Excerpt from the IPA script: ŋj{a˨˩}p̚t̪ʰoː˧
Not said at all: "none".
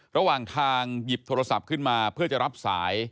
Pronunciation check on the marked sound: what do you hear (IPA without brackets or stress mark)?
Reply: i˨˩